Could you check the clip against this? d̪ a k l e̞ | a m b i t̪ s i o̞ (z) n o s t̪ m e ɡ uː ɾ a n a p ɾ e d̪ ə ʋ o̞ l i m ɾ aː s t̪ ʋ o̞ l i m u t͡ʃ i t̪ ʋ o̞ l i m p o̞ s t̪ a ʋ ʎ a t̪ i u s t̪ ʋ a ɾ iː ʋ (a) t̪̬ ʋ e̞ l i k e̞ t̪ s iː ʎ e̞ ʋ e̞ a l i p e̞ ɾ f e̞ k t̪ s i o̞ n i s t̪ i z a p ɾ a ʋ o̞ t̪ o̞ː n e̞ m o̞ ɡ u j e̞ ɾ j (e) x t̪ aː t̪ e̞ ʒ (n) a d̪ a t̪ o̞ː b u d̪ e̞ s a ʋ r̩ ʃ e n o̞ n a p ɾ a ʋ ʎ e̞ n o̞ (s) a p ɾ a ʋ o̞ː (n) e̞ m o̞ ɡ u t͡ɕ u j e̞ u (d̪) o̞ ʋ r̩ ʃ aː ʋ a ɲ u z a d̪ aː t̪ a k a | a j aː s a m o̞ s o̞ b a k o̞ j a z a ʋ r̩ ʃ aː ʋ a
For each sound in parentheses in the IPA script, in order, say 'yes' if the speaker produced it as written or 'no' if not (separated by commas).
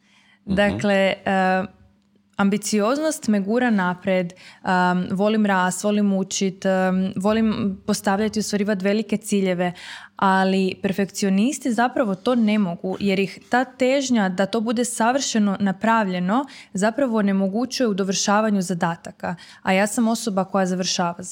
yes, yes, no, no, no, yes, yes